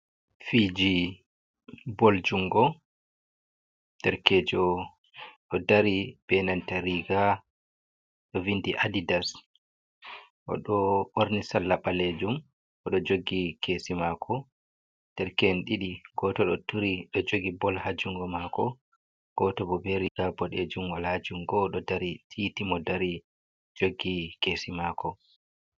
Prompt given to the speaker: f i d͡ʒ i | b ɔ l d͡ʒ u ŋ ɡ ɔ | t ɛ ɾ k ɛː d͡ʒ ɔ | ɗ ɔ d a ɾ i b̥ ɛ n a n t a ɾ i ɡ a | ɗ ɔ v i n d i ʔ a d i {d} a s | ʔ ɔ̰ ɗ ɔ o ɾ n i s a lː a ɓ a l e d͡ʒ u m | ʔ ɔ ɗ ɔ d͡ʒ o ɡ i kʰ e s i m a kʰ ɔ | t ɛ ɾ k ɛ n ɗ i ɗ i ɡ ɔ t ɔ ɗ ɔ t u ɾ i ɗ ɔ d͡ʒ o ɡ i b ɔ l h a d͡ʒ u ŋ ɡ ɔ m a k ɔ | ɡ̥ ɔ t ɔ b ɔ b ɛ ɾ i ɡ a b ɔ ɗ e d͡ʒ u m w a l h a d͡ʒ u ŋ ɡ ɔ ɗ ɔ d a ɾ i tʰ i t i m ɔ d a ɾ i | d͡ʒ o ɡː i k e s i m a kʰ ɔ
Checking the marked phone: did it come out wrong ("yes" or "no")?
no